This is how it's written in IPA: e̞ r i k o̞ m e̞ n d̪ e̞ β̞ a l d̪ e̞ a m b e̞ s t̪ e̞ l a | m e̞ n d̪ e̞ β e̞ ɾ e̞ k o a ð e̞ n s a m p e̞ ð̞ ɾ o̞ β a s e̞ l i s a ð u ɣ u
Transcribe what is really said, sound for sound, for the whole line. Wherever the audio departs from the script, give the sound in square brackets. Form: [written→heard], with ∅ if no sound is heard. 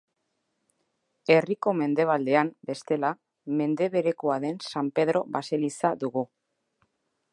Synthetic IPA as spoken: e̞ r i k o̞ m e̞ n d̪ e̞ β̞ a l d̪ e̞ a m b e̞ s t̪ e̞ l a | m e̞ n d̪ e̞ β e̞ ɾ e̞ k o a ð e̞ n s a m p e̞ ð̞ ɾ o̞ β a s e̞ l i s a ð u ɣ u